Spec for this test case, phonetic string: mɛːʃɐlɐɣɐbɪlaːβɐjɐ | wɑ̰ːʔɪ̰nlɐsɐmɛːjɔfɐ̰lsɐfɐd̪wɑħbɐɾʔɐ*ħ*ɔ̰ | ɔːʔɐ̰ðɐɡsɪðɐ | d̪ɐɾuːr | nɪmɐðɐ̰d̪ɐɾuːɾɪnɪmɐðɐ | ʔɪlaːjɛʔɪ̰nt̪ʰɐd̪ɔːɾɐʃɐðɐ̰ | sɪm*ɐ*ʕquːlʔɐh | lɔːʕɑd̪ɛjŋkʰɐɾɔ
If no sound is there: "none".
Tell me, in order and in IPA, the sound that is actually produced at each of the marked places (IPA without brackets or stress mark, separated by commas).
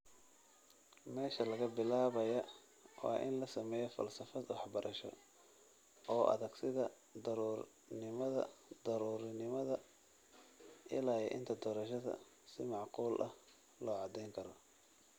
ʃ, ɑ